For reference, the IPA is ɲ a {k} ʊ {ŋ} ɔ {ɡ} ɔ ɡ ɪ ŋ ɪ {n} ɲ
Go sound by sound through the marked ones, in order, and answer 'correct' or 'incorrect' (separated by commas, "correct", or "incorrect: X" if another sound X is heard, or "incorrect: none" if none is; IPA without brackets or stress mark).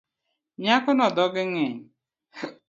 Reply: correct, incorrect: n, incorrect: d, incorrect: none